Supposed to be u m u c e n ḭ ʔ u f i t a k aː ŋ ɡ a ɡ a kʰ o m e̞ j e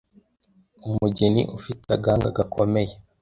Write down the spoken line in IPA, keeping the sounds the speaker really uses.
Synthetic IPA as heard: u m u ɟ e n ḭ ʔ u f i t a ɡ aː ŋ ɡ a ɡ a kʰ o m e̞ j e